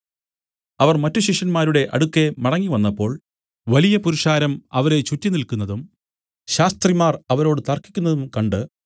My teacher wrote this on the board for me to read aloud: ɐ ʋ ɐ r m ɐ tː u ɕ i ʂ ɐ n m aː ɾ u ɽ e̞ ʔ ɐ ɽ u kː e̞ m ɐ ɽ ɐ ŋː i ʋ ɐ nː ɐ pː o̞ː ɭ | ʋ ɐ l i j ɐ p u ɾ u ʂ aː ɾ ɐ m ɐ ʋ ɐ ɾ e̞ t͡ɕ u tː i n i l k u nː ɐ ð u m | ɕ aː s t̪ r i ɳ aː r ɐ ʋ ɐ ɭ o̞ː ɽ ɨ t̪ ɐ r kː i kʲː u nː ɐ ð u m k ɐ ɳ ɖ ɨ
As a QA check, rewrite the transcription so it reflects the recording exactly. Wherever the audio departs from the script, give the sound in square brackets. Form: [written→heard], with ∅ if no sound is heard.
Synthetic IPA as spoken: ɐ ʋ ɐ r m ɐ tː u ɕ i ʂ ɐ n m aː ɾ u ɽ e̞ ʔ ɐ ɽ u kː e̞ m ɐ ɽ ɐ ŋː i ʋ ɐ nː ɐ pː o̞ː ɭ | ʋ ɐ l i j ɐ p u ɾ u ʂ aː ɾ ɐ m ɐ ʋ ɐ ɾ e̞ t͡ɕ u tː i n i l k u nː ɐ ð u m | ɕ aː s t̪ r i [ɳ→m] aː r ɐ ʋ ɐ [ɭ→ɾ] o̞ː ɽ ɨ t̪ ɐ r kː i kʲː u nː ɐ ð u m k ɐ ɳ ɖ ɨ

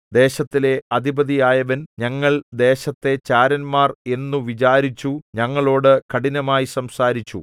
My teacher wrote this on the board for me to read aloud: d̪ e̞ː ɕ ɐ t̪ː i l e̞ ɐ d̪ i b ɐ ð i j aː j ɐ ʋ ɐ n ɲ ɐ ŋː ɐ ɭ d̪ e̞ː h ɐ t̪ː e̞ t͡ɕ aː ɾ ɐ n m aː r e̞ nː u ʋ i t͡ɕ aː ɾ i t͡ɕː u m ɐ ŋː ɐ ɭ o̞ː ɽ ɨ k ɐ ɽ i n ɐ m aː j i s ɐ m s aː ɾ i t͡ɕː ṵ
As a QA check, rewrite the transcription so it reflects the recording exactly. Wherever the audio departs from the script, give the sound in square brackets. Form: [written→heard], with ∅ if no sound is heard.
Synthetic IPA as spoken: d̪ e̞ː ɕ ɐ t̪ː i l e̞ ɐ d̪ i b ɐ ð i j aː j ɐ ʋ ɐ n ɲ ɐ ŋː ɐ ɭ d̪ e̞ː [h→ɕ] ɐ t̪ː e̞ t͡ɕ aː ɾ ɐ n m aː r e̞ nː u ʋ i t͡ɕ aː ɾ i t͡ɕː u [m→ɲ] ɐ ŋː ɐ ɭ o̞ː ɽ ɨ k ɐ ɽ i n ɐ m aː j i s ɐ m s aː ɾ i t͡ɕː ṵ

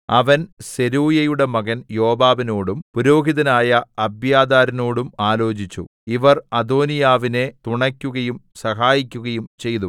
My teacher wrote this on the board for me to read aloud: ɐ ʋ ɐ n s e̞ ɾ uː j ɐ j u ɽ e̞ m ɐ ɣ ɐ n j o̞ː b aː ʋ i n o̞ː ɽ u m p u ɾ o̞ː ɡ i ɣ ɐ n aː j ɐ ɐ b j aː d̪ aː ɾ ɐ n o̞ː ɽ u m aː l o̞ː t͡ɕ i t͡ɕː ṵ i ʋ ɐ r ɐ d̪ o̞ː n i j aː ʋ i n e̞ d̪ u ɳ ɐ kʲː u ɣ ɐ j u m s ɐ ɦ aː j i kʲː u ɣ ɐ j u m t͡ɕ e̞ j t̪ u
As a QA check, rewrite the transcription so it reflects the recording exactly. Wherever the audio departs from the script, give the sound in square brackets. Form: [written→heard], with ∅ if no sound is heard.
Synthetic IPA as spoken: ɐ ʋ ɐ n s e̞ ɾ uː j ɐ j u ɽ e̞ m ɐ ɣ ɐ n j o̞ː b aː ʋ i n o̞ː ɽ u m p u ɾ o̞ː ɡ i [ɣ→ð] ɐ n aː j ɐ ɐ b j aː d̪ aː ɾ ɐ n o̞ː ɽ u m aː l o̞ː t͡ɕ i t͡ɕː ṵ i ʋ ɐ r ɐ d̪ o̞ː n i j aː ʋ i n e̞ [d̪→t̪] u ɳ ɐ kʲː u ɣ ɐ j u m s ɐ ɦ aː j i kʲː u ɣ ɐ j u m t͡ɕ e̞ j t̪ u

